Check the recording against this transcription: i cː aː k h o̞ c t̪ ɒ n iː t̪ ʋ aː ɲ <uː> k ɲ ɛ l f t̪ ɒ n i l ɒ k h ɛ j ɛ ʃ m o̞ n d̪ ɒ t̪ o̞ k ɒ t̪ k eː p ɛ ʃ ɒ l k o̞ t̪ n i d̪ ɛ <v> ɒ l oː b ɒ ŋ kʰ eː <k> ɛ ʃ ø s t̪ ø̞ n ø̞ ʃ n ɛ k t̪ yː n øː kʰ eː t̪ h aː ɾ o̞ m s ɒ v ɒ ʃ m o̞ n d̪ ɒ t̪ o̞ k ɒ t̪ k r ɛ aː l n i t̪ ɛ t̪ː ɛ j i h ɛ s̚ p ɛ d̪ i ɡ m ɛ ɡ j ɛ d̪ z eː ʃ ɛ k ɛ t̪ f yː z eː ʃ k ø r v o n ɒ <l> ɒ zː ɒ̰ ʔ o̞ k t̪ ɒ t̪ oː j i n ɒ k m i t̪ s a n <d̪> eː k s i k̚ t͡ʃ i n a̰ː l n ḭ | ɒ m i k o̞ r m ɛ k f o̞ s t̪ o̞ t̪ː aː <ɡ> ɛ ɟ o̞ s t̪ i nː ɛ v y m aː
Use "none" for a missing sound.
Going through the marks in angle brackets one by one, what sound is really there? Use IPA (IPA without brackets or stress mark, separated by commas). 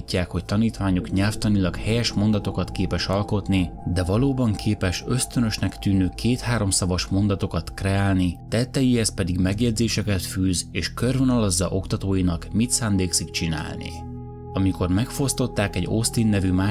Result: u, v, p, l, d̪, k